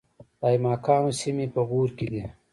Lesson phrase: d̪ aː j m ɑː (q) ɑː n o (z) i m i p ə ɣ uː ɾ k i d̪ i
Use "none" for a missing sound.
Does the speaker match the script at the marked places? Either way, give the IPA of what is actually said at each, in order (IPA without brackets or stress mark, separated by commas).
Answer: k, s